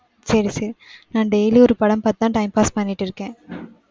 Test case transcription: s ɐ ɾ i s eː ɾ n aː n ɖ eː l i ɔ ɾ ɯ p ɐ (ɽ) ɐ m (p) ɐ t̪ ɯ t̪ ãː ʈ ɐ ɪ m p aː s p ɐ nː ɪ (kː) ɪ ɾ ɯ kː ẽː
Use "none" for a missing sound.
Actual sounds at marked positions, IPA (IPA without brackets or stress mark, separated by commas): ɽ, p, ʈː